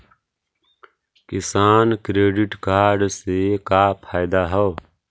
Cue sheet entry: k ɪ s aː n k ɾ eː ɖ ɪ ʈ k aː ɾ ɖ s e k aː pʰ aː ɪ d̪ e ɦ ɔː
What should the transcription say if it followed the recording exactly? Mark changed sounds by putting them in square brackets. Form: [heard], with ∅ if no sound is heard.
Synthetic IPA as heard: k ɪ s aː n k ɾ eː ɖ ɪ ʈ k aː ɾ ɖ s e k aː pʰ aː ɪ d̪ [a] ɦ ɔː